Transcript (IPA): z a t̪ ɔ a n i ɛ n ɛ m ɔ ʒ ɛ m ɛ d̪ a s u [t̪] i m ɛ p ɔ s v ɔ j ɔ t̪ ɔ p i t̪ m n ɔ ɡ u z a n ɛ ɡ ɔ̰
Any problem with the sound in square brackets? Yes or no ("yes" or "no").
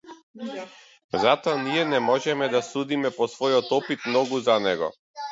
yes